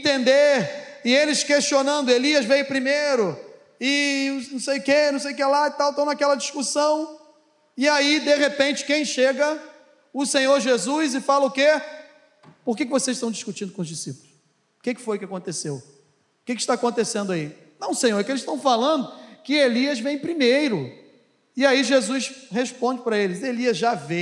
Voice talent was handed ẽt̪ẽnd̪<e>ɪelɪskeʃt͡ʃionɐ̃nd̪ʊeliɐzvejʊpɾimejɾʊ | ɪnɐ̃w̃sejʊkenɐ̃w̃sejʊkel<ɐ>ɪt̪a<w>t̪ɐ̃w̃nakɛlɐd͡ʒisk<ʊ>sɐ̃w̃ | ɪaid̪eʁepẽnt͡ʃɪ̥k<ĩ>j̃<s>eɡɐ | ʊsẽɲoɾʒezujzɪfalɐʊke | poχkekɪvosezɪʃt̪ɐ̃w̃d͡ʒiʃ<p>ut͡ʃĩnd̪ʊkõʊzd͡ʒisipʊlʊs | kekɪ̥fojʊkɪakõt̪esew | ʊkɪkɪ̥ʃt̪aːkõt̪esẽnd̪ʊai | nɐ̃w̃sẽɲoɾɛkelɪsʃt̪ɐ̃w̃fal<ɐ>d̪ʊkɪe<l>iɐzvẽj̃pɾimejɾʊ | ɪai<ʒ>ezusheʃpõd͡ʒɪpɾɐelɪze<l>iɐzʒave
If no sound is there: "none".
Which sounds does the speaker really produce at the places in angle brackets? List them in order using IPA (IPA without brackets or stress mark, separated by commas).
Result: e, a, w, u, ẽ, ʃ, k, ɐ̃, l, ʒ, l